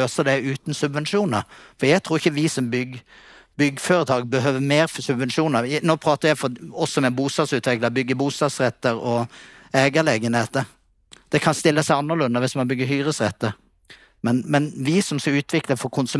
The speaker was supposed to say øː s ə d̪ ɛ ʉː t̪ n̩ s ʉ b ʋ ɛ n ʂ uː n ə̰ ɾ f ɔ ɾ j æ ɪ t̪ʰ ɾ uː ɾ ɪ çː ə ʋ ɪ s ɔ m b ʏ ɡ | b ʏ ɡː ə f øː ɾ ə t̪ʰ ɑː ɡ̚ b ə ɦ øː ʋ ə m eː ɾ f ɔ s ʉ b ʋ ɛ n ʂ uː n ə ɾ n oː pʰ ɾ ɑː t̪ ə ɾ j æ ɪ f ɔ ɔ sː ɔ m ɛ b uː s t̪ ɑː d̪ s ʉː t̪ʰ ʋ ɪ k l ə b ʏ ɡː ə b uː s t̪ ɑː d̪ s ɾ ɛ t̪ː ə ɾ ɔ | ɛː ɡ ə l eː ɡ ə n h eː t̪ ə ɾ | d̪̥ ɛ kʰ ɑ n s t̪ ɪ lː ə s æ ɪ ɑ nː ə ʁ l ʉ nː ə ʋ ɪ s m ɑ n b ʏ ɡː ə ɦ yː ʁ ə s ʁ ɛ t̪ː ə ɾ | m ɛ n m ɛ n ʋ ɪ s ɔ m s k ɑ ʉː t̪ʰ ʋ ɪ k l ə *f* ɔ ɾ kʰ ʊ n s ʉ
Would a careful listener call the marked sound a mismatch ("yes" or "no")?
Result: no